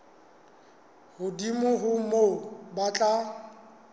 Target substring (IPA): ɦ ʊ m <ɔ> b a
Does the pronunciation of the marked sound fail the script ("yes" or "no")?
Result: yes